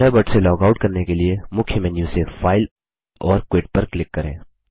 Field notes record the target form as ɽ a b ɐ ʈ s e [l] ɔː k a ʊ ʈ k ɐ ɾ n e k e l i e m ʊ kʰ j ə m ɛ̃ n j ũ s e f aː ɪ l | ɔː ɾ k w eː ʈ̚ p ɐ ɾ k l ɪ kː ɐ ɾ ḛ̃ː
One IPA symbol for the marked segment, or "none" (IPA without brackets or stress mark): l